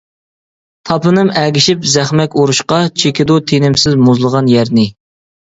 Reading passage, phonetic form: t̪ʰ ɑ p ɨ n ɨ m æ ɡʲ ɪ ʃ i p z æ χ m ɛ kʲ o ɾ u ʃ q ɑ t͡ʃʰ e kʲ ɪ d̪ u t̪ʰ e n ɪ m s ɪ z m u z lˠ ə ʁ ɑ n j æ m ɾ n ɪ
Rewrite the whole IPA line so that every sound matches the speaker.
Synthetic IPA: t̪ʰ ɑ p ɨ n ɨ m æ ɡʲ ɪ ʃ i p z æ χ m ɛ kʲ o ɾ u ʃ q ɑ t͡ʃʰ e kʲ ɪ d̪ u t̪ʰ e n ɪ m s ɪ z m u z lˠ ə ʁ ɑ n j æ ɾ n ɪ